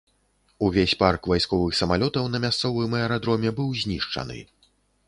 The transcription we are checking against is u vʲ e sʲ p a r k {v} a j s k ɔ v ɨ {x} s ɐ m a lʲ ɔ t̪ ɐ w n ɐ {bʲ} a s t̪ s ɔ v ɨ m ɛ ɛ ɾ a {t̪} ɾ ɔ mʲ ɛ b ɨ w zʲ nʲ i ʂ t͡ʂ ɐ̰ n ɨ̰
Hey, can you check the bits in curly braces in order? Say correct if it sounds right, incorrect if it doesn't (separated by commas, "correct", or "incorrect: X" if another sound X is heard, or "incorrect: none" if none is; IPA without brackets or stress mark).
correct, correct, incorrect: mʲ, incorrect: d̪